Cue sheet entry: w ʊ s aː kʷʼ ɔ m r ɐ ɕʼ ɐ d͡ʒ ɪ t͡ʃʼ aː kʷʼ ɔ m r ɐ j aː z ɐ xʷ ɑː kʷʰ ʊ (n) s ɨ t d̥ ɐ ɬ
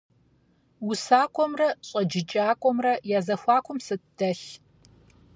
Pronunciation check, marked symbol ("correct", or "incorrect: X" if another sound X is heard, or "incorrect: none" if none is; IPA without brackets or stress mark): incorrect: m